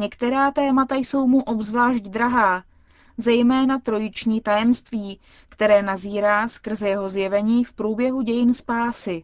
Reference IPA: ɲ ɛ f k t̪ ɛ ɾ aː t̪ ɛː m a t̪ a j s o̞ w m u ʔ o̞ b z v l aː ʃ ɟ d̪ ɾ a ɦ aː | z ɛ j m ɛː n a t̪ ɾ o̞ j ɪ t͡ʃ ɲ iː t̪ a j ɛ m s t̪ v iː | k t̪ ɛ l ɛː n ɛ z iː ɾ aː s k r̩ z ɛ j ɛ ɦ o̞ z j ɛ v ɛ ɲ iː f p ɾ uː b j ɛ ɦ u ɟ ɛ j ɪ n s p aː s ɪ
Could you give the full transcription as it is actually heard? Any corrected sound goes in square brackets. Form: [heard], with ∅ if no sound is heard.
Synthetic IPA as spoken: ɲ ɛ [∅] k t̪ ɛ ɾ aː t̪ ɛː m a t̪ a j s o̞ w m u ʔ o̞ b z v l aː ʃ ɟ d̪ ɾ a ɦ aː | z ɛ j m ɛː n a t̪ ɾ o̞ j ɪ t͡ʃ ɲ iː t̪ a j ɛ m s t̪ v iː | k t̪ ɛ [ɾ] ɛː n [a] z iː ɾ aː s k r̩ z ɛ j ɛ ɦ o̞ z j ɛ v ɛ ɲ iː f p ɾ uː b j ɛ ɦ u ɟ ɛ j ɪ n s p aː s ɪ